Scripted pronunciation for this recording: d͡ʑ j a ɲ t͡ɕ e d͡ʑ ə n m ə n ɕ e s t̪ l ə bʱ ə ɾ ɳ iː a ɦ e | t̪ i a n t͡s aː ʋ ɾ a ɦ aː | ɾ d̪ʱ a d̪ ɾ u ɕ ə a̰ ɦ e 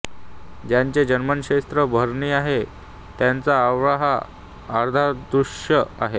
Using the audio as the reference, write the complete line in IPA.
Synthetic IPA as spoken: d͡ʑ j a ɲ t͡ɕ e d͡ʑ ə n m ə n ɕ e s t̪ ɾ ə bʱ ə ɾ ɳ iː a ɦ e | t̪ j a n t͡s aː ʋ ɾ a ɦ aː | ɾ d̪ʱ a d̪ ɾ u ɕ ə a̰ ɦ e